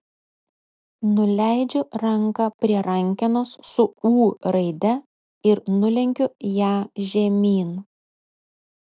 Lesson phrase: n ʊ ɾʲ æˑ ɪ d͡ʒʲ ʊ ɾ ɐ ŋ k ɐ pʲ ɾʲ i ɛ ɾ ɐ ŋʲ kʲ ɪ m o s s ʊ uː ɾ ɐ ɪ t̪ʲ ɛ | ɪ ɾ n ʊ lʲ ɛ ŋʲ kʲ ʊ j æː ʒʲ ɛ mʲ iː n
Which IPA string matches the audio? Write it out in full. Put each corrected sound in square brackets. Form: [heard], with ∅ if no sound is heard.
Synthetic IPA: n ʊ [lʲ] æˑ ɪ d͡ʒʲ ʊ ɾ ɐ ŋ k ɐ pʲ ɾʲ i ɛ ɾ ɐ ŋʲ kʲ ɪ [n] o s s ʊ uː ɾ ɐ ɪ [d̪ʲ] ɛ | ɪ ɾ n ʊ lʲ ɛ ŋʲ kʲ ʊ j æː ʒʲ ɛ mʲ iː n